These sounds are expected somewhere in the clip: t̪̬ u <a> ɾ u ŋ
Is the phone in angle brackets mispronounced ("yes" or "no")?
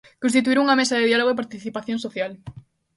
yes